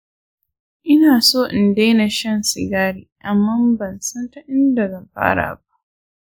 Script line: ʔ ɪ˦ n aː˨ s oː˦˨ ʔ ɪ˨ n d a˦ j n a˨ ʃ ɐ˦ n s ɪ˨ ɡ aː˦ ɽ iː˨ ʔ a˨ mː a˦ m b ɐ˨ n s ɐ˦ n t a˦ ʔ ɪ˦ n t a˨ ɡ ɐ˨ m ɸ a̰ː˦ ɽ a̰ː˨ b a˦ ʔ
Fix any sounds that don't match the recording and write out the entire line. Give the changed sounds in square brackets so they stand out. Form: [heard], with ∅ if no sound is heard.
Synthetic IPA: ʔ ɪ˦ n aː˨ s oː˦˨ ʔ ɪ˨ n d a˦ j n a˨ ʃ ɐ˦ n s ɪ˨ ɡ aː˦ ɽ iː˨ ʔ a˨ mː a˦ m b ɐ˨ n s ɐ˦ n t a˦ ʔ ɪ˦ n [d] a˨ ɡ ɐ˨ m ɸ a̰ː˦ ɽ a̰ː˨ b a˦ ʔ

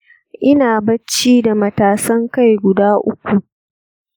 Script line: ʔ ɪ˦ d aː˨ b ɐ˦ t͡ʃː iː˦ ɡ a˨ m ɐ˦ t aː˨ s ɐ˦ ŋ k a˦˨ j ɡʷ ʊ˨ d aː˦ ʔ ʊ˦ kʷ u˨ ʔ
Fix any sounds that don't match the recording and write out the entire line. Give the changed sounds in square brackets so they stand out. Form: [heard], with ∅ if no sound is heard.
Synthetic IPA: ʔ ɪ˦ [n] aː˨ b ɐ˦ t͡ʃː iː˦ [d] a˨ m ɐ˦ t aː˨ s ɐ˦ ŋ k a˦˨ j ɡʷ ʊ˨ d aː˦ ʔ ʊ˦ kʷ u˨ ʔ

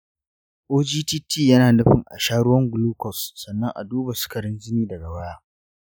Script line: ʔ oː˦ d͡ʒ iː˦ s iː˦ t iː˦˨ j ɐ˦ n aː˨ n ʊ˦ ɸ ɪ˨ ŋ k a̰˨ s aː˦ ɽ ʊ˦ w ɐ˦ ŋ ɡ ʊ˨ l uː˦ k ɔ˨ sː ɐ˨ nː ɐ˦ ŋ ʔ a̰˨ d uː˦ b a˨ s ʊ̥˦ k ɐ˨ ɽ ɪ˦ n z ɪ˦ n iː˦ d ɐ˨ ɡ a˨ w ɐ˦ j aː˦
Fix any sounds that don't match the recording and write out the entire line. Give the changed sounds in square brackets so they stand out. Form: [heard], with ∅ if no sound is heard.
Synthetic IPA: ʔ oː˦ d͡ʒ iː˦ [t] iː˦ t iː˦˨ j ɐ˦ n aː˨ n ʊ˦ ɸ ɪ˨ ŋ [ʔ] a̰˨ [ʃ] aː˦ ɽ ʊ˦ w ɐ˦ ŋ ɡ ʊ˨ l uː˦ k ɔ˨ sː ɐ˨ nː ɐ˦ ŋ ʔ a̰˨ d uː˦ b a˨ s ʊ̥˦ k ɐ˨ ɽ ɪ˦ n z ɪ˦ n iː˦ d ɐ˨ ɡ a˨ w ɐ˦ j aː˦

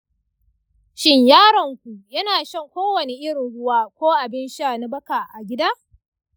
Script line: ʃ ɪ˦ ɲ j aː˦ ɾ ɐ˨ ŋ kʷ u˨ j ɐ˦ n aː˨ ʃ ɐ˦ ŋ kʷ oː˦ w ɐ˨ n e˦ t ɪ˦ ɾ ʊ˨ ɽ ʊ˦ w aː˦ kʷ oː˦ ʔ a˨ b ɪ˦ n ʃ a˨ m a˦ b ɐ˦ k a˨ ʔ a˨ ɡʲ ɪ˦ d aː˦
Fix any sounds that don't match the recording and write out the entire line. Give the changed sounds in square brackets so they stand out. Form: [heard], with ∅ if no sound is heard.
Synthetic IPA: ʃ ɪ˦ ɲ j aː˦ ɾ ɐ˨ ŋ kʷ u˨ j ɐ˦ n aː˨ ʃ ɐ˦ ŋ kʷ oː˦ w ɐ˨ n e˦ [ʔ] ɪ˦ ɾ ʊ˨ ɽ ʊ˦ w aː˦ kʷ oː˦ ʔ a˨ b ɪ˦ n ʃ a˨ [n] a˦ b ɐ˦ k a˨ ʔ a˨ ɡʲ ɪ˦ d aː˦

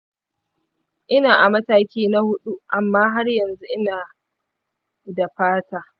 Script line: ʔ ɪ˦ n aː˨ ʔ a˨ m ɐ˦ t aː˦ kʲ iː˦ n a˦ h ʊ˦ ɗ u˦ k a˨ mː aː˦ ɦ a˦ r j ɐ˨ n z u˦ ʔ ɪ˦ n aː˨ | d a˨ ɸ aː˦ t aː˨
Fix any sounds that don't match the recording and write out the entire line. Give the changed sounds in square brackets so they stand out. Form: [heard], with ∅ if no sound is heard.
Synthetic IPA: ʔ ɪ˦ n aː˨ ʔ a˨ m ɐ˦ t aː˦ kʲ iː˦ n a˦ h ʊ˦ ɗ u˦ [ʔ] a˨ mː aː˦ ɦ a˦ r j ɐ˨ n z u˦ ʔ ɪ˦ n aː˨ | d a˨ ɸ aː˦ t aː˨

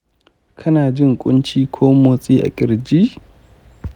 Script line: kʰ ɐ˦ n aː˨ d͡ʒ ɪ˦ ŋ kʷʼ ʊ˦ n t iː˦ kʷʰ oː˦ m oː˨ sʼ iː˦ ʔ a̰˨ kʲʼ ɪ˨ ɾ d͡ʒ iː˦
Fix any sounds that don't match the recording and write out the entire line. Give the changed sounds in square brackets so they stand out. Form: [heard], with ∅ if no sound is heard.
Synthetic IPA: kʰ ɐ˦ n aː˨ d͡ʒ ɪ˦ ŋ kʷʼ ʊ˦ n [t͡ʃ] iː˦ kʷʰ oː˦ m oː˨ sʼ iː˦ ʔ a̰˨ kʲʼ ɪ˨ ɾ d͡ʒ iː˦

